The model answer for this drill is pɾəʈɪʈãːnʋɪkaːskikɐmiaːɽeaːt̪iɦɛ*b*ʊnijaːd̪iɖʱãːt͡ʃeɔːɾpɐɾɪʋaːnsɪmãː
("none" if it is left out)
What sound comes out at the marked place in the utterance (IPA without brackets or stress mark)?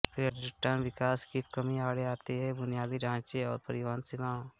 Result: b